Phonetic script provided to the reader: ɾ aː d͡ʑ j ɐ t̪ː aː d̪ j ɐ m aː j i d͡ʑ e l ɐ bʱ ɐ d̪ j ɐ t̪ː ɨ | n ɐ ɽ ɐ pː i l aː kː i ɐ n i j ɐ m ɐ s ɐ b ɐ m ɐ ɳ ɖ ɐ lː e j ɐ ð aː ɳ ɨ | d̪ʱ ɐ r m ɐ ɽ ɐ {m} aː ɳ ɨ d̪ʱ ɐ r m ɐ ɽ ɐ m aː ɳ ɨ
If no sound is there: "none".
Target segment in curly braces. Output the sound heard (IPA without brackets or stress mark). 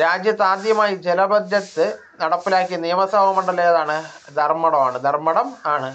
m